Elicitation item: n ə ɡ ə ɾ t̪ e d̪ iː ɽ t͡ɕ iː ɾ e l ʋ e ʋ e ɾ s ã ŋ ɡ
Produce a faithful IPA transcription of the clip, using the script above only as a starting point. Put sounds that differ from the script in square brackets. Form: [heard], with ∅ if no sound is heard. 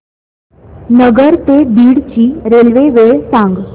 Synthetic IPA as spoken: n ə ɡ ə ɾ t̪ e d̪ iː ɽ t͡ɕ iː ɾ e l ʋ e ʋ e [ɭ] s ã ŋ ɡ